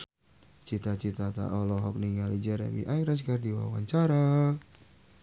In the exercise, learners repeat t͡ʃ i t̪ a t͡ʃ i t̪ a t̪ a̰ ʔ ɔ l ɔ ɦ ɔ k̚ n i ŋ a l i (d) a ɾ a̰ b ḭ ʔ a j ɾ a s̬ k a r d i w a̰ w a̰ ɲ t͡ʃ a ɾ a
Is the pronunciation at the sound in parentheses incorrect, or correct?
incorrect: d͡ʒ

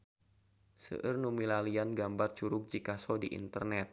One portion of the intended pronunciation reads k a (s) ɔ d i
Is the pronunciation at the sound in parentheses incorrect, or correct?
correct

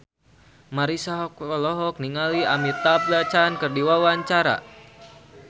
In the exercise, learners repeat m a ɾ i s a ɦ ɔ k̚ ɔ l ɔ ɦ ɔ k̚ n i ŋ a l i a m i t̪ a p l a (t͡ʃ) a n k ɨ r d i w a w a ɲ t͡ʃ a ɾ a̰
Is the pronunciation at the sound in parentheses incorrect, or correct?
correct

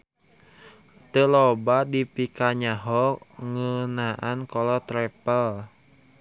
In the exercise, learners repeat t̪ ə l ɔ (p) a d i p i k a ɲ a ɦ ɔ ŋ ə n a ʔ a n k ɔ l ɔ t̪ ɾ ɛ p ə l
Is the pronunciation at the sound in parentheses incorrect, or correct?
incorrect: b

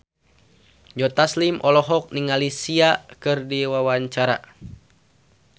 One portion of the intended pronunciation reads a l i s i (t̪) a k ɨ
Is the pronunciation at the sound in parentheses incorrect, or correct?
incorrect: none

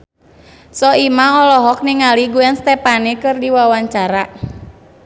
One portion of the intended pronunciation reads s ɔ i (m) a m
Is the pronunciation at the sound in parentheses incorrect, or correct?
correct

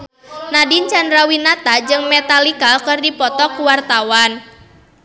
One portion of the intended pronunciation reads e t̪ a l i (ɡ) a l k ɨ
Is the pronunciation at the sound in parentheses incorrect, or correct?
incorrect: k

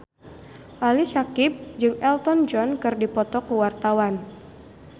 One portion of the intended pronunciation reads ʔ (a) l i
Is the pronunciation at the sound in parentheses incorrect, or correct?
correct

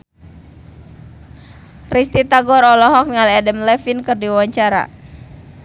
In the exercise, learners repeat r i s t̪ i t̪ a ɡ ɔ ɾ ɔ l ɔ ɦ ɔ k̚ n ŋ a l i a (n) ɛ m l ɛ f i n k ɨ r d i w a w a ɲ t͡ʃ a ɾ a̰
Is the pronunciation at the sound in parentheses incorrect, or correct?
incorrect: d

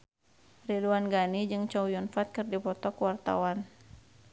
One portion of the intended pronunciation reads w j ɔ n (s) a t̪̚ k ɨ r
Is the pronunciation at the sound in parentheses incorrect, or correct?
incorrect: f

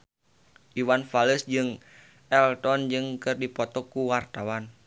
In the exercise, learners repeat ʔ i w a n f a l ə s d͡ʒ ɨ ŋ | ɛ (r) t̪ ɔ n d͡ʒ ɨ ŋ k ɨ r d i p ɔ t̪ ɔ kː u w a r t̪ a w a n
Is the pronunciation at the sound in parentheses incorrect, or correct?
incorrect: l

